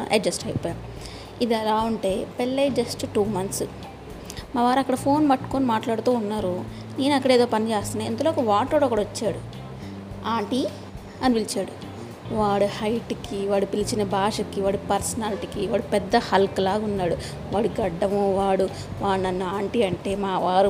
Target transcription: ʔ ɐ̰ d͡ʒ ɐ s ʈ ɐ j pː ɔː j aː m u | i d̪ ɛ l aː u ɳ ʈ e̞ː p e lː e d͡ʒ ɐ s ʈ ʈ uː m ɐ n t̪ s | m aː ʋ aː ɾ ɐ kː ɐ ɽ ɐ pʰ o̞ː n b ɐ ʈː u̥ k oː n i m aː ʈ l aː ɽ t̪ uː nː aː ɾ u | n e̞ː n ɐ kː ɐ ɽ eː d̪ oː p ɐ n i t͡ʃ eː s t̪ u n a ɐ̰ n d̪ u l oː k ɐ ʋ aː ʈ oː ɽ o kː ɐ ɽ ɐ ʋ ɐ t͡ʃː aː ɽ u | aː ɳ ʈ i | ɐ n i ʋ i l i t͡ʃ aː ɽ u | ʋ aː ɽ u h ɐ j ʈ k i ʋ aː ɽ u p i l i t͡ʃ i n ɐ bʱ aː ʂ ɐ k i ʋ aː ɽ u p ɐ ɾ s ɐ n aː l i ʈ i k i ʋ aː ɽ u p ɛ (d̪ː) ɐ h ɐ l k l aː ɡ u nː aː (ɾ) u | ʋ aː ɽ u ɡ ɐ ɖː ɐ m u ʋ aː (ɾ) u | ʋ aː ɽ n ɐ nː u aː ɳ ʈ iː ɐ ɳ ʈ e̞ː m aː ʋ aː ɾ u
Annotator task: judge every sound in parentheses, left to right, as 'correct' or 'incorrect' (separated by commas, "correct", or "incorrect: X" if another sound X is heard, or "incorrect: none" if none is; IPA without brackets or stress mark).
correct, incorrect: ɽ, incorrect: ɽ